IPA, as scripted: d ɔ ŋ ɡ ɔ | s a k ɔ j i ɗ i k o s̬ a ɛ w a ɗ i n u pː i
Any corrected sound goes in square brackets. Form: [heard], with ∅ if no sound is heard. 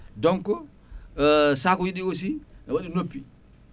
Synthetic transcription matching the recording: d ɔ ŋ [k] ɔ | s a k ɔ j i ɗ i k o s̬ [i] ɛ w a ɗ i n [o] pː i